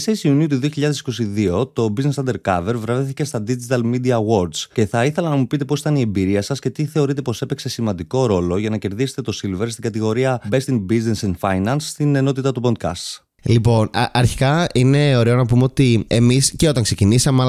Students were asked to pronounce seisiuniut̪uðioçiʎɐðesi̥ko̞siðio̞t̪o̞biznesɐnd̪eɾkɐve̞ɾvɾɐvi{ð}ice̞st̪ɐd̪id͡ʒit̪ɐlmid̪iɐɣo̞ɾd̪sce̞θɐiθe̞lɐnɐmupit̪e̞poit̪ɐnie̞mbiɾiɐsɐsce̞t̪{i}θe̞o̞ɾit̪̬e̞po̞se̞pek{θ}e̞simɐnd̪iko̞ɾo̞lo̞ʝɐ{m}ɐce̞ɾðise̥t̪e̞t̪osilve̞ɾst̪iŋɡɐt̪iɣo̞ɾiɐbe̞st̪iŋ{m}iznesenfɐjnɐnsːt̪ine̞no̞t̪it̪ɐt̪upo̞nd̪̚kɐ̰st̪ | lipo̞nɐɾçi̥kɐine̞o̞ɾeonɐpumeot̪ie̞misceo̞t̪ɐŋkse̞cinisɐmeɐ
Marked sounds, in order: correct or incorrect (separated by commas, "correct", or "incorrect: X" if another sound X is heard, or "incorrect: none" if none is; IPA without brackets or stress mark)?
incorrect: θ, correct, incorrect: s, incorrect: n, incorrect: b